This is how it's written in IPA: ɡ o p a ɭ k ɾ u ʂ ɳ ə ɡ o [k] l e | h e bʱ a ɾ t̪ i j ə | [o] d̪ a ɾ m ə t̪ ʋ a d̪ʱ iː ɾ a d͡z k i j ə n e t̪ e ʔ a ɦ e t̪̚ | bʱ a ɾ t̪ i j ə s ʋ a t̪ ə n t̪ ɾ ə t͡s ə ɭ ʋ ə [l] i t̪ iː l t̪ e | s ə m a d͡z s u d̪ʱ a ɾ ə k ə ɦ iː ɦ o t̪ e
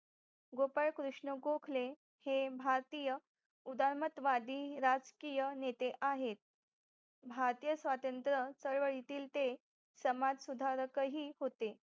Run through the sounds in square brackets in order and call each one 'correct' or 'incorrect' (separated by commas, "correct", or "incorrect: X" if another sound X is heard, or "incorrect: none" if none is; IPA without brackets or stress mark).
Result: incorrect: kʰ, incorrect: u, incorrect: ɭ